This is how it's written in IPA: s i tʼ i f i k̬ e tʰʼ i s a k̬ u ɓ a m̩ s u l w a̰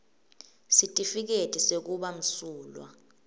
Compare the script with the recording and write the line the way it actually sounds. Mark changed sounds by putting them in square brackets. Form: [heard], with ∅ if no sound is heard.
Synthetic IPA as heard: s i tʼ i f i k̬ e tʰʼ i s [e] k̬ u ɓ a m̩ s [uː] l w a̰